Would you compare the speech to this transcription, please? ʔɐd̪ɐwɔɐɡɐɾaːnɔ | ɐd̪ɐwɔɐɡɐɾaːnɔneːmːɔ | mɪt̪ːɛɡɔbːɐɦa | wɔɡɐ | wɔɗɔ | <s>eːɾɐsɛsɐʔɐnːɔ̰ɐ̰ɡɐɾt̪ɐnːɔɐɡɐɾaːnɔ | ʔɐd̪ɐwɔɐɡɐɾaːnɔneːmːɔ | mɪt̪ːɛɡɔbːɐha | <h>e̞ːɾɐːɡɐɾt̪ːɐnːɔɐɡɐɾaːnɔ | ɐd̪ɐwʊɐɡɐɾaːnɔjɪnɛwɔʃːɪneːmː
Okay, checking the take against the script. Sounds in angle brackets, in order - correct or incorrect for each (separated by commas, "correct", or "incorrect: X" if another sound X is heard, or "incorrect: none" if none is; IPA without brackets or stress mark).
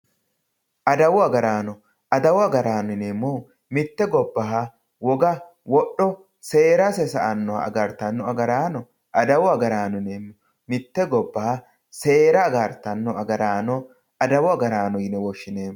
correct, incorrect: s